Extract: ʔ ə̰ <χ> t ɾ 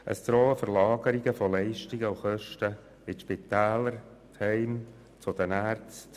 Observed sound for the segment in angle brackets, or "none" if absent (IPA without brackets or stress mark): s